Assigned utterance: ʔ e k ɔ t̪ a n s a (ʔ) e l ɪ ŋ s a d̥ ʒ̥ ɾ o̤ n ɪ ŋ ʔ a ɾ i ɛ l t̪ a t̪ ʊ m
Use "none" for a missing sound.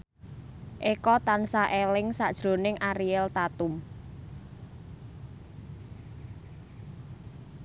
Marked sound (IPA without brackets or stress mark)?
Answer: ʔ